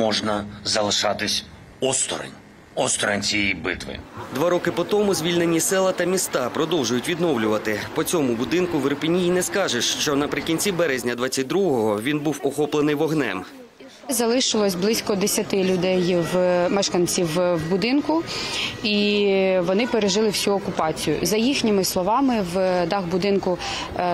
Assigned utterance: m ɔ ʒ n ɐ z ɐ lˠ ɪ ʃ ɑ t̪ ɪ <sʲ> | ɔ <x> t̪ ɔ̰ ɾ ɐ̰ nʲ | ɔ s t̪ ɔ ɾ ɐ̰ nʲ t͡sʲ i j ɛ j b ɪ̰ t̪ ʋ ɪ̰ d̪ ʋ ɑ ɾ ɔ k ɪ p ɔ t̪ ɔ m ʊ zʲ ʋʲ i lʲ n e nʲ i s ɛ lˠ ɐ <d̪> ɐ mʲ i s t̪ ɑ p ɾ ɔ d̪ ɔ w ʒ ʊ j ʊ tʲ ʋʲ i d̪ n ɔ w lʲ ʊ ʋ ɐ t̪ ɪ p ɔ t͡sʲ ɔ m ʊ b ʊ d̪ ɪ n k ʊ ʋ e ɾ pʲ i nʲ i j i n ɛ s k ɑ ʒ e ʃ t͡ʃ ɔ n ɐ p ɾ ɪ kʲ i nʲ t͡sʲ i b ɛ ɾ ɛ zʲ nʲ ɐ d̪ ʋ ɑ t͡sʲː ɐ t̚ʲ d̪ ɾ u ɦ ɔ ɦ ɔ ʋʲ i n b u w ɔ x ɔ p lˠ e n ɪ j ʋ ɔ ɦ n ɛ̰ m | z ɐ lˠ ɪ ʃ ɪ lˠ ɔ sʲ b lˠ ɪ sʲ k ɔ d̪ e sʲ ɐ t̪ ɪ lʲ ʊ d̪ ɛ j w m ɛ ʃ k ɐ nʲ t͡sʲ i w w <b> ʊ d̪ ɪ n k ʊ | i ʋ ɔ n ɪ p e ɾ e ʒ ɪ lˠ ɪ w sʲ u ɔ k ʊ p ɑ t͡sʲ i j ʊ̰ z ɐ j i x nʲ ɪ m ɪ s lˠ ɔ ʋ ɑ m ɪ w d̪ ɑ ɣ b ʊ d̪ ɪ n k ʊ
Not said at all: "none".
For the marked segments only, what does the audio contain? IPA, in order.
sʲ, s, t̪, b

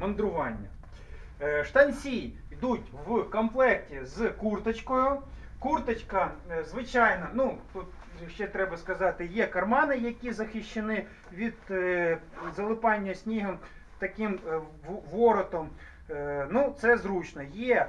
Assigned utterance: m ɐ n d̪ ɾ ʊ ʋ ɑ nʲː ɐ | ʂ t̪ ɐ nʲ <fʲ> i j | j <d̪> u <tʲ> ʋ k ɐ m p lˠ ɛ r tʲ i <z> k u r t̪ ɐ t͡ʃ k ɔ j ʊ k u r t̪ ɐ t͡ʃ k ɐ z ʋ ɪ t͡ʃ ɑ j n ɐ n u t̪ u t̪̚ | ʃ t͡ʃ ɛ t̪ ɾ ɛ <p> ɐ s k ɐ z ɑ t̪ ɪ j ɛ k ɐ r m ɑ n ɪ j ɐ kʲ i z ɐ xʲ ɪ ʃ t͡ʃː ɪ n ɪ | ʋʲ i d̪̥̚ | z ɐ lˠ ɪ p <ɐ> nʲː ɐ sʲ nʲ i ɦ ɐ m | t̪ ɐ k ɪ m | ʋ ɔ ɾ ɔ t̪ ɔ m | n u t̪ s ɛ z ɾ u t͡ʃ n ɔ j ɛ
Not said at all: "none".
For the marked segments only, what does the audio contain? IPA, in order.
sʲ, d̪, tʲ, z, b, ɑ

